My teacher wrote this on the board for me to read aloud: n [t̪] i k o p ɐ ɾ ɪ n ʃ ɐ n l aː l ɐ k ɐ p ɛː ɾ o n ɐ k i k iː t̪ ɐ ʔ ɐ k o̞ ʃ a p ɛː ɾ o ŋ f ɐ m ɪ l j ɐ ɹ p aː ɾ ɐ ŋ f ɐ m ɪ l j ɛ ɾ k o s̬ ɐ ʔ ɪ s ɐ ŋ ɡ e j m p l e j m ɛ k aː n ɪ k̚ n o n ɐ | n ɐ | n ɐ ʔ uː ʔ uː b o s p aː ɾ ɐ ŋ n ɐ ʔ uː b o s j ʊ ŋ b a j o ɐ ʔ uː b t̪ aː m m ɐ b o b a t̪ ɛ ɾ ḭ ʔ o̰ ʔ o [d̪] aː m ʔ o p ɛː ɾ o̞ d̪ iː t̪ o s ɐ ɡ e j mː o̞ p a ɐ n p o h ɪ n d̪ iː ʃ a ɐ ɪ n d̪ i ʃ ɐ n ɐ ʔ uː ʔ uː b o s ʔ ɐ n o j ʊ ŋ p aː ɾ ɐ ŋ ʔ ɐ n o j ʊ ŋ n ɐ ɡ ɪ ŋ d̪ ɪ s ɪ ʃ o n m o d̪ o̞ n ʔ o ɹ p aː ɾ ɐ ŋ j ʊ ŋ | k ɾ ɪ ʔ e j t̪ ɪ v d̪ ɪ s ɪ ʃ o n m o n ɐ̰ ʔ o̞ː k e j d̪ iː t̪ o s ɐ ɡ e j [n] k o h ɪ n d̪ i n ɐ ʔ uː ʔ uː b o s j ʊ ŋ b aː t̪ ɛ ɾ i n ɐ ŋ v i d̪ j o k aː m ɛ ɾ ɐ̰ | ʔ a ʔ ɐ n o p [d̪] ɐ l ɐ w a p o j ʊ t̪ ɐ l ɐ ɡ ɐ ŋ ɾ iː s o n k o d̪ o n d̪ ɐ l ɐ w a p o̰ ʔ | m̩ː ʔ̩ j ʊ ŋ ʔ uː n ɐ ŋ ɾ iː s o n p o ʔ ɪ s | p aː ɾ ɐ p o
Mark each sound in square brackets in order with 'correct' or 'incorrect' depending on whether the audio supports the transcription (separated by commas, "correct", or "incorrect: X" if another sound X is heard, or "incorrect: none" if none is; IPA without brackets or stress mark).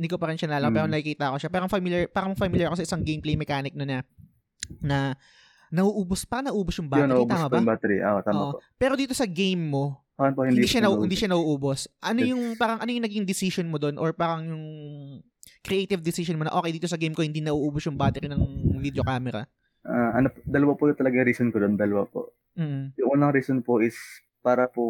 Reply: incorrect: d̪, incorrect: t̪, incorrect: m, correct